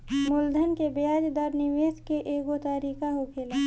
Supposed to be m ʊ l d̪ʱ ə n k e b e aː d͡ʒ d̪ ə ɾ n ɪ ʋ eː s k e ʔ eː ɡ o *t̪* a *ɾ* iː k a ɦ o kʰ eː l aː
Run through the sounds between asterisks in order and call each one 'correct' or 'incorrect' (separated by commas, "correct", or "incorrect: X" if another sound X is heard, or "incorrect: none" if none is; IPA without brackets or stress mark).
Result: correct, correct